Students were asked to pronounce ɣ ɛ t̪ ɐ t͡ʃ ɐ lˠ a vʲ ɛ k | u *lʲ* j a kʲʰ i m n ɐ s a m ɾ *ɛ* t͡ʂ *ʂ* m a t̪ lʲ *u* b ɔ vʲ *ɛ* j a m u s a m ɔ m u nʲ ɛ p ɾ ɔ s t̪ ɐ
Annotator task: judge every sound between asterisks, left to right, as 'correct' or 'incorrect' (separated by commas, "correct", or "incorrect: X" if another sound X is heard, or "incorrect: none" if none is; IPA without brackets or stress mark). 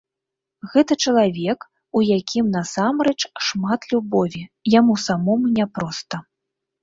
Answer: incorrect: none, correct, correct, correct, incorrect: i